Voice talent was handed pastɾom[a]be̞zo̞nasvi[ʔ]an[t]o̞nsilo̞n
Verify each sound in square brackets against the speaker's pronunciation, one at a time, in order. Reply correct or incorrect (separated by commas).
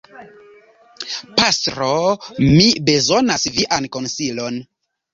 incorrect, correct, incorrect